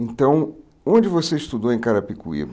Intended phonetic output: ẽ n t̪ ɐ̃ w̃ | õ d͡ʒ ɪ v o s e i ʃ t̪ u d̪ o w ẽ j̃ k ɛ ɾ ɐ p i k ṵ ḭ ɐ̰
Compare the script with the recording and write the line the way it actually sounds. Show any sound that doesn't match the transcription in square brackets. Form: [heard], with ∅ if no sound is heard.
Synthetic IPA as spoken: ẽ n t̪ ɐ̃ w̃ | õ d͡ʒ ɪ v o s e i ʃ t̪ u d̪ o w ẽ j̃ k [a] ɾ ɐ p i k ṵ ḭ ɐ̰

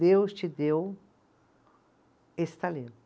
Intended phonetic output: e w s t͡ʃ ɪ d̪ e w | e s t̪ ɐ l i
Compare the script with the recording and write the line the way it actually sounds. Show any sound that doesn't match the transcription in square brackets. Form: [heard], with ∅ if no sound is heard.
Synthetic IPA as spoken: e w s t͡ʃ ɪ d̪ e w | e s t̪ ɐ l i

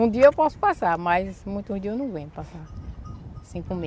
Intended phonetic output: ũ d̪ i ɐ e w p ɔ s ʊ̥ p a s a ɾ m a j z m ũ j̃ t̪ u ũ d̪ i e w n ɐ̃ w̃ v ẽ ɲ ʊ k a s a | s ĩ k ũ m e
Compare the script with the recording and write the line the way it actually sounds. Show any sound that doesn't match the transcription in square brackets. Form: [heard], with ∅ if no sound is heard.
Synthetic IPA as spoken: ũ d̪ i ɐ e w p ɔ s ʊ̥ p a s a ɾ m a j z m ũ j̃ t̪ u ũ d̪ i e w n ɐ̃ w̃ v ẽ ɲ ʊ [p] a s a | s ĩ k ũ m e

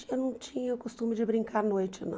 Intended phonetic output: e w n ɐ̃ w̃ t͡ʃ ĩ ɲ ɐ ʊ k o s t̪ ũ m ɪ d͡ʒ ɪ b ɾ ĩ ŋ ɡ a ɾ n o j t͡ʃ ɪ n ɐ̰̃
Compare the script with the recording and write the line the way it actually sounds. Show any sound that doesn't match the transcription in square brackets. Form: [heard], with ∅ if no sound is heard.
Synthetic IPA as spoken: e w n ɐ̃ w̃ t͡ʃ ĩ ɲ ɐ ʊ k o s t̪ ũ m ɪ d͡ʒ ɪ b ɾ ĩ ŋ [k] a ɾ n o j t͡ʃ ɪ n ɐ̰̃

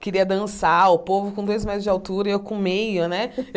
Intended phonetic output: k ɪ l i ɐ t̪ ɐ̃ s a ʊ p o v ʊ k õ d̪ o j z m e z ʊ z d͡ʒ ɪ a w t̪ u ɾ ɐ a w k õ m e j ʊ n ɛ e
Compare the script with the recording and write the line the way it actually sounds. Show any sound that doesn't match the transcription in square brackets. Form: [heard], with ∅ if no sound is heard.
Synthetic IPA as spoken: k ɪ [ɾ] i ɐ [d̪] ɐ̃ s a ʊ p o v ʊ k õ d̪ o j z m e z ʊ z d͡ʒ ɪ a w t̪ u ɾ ɐ [e] w k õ m e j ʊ n ɛ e

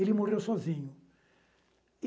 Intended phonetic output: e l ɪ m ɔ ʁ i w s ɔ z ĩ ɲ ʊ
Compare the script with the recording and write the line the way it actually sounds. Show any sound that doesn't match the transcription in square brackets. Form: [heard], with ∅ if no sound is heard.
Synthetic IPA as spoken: e l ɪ m [o] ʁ [e] w s ɔ z ĩ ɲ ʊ

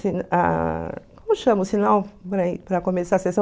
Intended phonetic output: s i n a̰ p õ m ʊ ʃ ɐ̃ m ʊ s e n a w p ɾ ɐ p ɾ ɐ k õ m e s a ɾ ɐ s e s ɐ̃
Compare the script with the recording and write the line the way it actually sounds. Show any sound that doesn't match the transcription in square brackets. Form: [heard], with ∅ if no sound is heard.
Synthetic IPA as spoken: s i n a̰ [k] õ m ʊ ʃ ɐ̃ m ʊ s [i] n a w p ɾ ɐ p ɾ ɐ k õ m e s a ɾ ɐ s e s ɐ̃

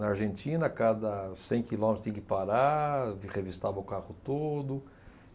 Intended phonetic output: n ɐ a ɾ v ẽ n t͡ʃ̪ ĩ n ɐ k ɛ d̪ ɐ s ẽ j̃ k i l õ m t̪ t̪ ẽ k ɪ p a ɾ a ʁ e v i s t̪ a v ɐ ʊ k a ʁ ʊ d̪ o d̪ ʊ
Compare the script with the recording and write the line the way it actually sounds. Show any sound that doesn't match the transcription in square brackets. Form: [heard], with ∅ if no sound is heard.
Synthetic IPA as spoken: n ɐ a ɾ [ʒ] ẽ n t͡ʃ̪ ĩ n ɐ k [a] d̪ ɐ s ẽ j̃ k i l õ m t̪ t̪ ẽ k ɪ p a ɾ a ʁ e v i s t̪ a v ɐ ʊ k a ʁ ʊ [t̪] o d̪ ʊ

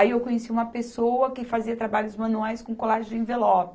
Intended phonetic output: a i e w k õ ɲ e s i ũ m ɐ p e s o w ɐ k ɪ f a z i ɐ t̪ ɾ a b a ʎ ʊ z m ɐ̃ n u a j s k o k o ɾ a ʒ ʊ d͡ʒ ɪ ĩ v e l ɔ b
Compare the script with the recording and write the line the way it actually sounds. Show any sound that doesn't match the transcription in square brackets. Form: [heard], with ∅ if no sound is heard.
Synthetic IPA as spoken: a i e w k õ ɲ e s i ũ m ɐ p e s o w ɐ k ɪ f a z i ɐ t̪ ɾ a b a ʎ ʊ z m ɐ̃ n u a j s k [õ] k o [l] a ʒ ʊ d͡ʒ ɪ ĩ v e l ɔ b

